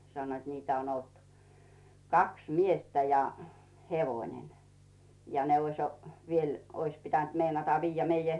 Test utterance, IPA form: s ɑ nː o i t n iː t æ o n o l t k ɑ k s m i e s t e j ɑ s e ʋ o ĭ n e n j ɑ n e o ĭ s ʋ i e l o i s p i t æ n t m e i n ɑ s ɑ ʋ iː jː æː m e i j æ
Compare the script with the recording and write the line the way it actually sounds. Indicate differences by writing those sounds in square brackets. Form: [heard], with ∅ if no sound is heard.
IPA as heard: s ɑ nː o i t n iː t æ o n o l t k ɑ k s m i e s t [æ] j ɑ [h] e ʋ o ĭ n e n j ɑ n e o ĭ s ʋ i e l o i s p i t æ n t m e i n ɑ [t] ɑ ʋ iː jː [æ] m e i j æ